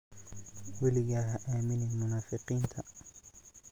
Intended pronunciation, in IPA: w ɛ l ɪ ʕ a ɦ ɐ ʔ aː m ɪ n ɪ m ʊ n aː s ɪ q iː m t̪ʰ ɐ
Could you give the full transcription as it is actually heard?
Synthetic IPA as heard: w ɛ l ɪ ɣ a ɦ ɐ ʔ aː m ɪ n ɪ m ʊ n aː f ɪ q iː n t̪ʰ ɐ